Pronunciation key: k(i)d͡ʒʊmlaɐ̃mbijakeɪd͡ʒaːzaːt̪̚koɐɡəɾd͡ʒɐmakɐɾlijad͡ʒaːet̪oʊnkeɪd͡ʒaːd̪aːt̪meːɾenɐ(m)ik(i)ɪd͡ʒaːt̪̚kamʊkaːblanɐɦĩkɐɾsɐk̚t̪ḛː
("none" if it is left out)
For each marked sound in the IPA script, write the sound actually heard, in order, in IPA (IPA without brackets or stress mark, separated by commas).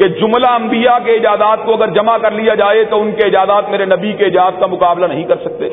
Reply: e, b, e